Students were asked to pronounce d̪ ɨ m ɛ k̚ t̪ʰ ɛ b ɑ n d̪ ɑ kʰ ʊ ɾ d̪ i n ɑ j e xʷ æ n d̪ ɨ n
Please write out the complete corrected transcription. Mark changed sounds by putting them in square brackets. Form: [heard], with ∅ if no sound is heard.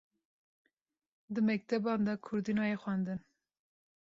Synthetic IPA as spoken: d̪ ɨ m ɛ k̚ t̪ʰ ɛ b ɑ n d̪ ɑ kʰ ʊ ɾ d̪ i n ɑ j e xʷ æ n d̪ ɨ n